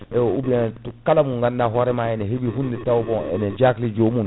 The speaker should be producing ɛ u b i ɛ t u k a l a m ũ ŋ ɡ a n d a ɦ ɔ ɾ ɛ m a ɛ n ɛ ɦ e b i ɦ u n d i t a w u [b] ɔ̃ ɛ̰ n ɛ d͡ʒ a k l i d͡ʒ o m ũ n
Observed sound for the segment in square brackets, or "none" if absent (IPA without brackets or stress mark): b